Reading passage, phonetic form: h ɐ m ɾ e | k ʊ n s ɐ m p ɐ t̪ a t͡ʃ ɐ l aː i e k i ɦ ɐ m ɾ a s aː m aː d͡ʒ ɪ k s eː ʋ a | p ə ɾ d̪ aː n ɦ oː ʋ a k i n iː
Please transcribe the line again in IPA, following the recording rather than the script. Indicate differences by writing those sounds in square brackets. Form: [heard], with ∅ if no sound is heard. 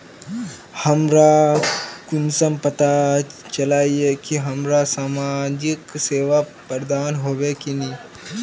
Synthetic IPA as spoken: h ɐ m ɾ [a] | k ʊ n s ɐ m p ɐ t̪ a t͡ʃ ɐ l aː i e k i ɦ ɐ m ɾ a s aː m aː d͡ʒ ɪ k s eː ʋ a | p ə ɾ d̪ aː n ɦ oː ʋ [e] k i n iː